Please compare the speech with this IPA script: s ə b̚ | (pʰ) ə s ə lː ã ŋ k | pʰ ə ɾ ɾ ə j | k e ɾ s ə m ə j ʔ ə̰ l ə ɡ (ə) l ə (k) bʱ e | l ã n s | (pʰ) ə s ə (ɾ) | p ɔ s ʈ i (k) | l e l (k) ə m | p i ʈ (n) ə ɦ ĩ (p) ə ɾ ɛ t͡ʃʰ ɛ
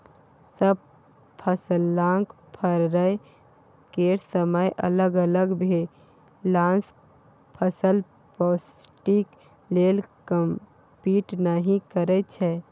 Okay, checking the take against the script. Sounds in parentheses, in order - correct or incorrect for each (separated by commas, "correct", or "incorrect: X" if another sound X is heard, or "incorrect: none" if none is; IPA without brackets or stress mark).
correct, correct, incorrect: ɡ, correct, incorrect: l, correct, correct, correct, incorrect: k